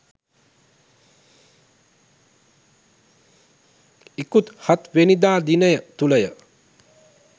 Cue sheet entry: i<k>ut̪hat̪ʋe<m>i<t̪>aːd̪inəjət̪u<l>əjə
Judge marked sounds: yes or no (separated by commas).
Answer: yes, no, no, yes